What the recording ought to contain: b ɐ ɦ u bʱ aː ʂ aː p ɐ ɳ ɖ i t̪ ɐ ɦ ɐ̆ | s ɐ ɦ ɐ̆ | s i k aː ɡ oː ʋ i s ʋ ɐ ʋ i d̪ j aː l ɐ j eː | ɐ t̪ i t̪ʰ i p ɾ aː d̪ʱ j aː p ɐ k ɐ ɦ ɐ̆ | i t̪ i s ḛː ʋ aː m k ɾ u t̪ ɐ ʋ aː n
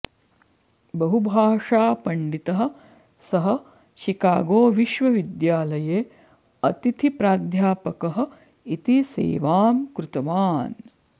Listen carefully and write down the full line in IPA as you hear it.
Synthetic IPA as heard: b ɐ ɦ u bʱ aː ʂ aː p ɐ ɳ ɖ i t̪ ɐ ɦ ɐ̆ | s ɐ ɦ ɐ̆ | ʃ i k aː ɡ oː ʋ i ʃ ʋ ɐ ʋ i d̪ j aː l ɐ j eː | ɐ t̪ i t̪ʰ i p ɾ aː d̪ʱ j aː p ɐ k ɐ ɦ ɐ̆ | i t̪ i s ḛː ʋ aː m k ɾ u t̪ ɐ ʋ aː n

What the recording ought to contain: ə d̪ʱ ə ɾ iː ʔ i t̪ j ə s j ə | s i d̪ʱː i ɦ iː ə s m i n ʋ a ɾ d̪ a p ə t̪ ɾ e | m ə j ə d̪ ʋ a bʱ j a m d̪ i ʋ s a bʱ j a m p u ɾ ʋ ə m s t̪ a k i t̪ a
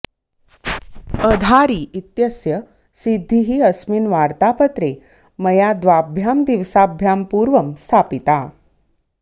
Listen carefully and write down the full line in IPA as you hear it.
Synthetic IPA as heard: ə d̪ʱ a ɾ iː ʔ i t̪ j ə s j ə | s i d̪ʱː i ɦ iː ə s m i n ʋ a ɾ t̪ a p ə t̪ ɾ e | m ə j a d̪ ʋ a bʱ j a m d̪ i ʋ s a bʱ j a m p u ɾ ʋ ə m s t̪ʰ a p i t̪ a

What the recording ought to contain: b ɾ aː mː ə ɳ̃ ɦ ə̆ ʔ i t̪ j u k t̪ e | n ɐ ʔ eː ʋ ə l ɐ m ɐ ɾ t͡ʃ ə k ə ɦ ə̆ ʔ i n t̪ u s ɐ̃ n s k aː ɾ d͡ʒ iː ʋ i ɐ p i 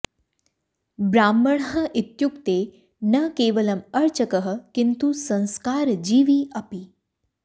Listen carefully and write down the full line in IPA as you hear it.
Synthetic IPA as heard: b ɾ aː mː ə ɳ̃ ɦ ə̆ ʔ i t̪ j u k t̪ e | n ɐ k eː ʋ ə l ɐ m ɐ ɾ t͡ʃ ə k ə ɦ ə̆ k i n t̪ u s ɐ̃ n s k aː ɾ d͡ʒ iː ʋ i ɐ p i

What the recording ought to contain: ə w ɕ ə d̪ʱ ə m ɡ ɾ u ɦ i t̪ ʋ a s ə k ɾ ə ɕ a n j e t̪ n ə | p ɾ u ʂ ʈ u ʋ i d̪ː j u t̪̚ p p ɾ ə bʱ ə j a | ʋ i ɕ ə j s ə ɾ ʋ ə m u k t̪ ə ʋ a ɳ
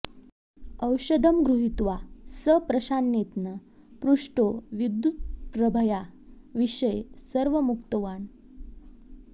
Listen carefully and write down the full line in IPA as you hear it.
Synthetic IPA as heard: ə w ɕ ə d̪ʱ ə m ɡ ɾ u ɦ i t̪ ʋ a s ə p ɾ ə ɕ a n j e t̪ n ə | p ɾ u ʂ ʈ o ʋ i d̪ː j u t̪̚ p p ɾ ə bʱ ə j a | ʋ i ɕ ə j s ə ɾ ʋ ə m u k t̪ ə ʋ a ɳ

